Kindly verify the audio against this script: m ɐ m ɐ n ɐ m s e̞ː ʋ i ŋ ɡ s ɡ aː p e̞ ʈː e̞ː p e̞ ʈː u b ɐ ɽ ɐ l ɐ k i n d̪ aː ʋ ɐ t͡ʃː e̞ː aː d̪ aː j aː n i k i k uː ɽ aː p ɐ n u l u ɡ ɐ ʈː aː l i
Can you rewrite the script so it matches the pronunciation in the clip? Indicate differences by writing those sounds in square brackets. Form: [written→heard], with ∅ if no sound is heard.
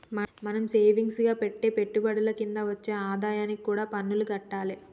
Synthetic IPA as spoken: m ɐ m ɐ n ɐ m s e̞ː ʋ i ŋ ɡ s ɡ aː p e̞ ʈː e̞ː p e̞ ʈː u b ɐ ɽ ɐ l ɐ k i n d̪ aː ʋ ɐ t͡ʃː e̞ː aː d̪ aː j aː n i k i k uː ɽ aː p ɐ [n→nː] u l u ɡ ɐ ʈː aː l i